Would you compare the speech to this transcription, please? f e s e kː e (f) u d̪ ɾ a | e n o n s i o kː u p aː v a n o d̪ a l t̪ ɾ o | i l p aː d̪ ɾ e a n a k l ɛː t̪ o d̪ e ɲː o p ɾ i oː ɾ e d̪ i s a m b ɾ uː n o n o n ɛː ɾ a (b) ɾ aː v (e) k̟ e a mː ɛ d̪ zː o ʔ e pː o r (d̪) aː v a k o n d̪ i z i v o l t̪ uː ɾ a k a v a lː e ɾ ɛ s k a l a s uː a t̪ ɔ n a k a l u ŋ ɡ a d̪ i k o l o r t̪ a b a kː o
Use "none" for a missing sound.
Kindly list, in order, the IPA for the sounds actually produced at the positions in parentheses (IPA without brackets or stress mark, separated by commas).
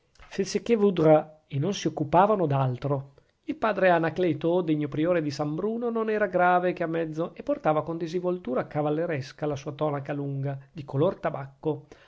v, ɡ, e, t̪